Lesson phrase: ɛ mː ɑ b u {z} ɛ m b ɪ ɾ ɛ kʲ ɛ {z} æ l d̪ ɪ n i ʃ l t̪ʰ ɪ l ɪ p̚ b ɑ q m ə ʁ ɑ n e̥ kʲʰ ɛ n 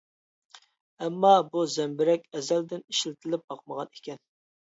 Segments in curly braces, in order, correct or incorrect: correct, correct

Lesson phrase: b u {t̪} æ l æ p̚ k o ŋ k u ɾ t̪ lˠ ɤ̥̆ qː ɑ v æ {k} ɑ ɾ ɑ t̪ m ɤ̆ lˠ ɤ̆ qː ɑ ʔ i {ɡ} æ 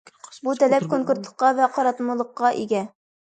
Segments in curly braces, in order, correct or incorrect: correct, incorrect: q, correct

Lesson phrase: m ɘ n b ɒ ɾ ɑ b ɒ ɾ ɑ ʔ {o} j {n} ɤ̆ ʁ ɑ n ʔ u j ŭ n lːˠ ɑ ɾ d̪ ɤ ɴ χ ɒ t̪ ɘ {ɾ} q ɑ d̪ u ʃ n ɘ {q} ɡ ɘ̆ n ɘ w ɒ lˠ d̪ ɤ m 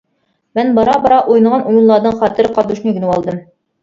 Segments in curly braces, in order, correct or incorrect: incorrect: u, correct, correct, incorrect: none

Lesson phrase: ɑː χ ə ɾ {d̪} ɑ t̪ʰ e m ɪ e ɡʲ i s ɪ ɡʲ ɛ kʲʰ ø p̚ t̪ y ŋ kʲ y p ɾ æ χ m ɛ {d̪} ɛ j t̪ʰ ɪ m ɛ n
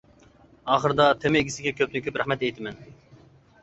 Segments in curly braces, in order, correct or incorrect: correct, incorrect: t̪

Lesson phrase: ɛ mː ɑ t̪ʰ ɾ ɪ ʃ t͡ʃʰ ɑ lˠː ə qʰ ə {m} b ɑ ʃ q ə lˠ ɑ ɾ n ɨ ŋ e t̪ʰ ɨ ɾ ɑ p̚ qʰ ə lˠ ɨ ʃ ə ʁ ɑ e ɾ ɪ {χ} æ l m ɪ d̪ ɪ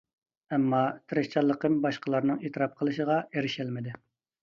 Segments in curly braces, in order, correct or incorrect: correct, incorrect: ʃ

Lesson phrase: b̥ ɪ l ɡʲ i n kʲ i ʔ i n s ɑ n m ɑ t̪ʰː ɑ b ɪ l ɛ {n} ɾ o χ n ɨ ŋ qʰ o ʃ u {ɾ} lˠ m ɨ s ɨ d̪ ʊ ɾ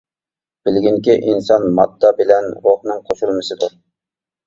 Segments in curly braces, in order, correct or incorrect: correct, incorrect: none

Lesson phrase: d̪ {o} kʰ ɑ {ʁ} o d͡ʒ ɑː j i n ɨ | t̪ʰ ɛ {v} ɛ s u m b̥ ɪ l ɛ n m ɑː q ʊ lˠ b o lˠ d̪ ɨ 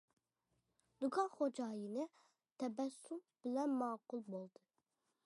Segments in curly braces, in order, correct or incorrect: incorrect: u, incorrect: χ, incorrect: b

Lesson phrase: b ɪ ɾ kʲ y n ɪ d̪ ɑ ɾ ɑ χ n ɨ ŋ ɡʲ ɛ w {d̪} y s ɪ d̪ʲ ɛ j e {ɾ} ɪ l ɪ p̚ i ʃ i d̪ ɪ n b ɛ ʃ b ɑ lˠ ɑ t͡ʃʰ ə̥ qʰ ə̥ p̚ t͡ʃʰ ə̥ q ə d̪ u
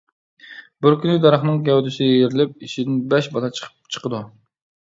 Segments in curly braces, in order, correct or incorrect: correct, correct

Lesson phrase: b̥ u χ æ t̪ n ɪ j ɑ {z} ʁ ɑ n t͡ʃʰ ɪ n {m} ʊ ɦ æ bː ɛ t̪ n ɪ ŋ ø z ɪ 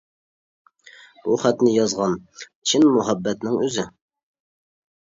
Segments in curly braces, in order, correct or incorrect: correct, correct

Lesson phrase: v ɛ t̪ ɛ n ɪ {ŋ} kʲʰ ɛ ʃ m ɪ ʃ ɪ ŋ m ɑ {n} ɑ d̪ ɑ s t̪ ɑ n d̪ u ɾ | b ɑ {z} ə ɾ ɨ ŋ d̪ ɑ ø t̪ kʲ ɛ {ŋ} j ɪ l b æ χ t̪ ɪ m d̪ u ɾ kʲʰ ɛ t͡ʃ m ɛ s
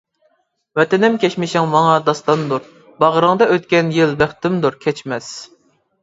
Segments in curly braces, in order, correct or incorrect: incorrect: m, incorrect: ŋ, incorrect: ʁ, incorrect: n

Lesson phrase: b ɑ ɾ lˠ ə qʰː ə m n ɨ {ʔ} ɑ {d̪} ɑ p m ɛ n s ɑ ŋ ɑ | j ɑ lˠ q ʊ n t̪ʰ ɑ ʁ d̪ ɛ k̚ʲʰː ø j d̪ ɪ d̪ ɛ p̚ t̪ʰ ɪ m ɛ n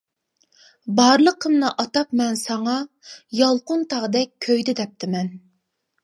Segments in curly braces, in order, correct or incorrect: correct, incorrect: t̪

